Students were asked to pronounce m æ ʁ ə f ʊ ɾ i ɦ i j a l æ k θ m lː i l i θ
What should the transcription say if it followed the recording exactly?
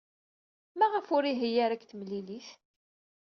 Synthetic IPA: m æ ʁ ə f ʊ ɾ i ɦ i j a ɾ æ k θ m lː i l i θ